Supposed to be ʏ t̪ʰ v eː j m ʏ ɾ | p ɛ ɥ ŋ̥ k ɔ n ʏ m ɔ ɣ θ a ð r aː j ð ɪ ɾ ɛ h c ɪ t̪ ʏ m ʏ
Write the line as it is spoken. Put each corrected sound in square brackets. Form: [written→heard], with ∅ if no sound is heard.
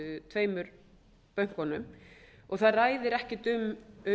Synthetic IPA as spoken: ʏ t̪ʰ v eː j m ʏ ɾ | p [ɛ→œ] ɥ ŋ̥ k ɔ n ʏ m ɔ ɣ θ a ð r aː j ð ɪ ɾ ɛ h c ɪ t̪ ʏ m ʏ